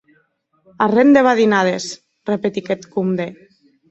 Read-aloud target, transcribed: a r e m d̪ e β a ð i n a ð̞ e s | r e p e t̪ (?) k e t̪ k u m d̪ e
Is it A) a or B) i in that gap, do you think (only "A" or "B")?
B